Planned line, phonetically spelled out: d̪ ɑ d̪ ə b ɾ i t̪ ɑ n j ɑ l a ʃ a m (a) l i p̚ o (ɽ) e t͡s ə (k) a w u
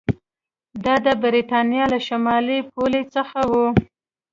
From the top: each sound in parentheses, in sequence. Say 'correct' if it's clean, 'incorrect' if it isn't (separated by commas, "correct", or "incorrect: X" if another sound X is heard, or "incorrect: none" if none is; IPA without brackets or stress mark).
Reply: incorrect: ɑ, incorrect: l, incorrect: x